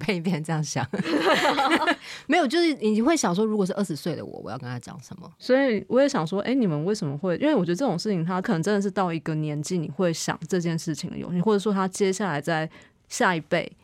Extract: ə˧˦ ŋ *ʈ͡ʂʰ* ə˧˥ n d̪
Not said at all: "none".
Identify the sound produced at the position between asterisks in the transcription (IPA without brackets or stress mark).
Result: ʈ͡ʂ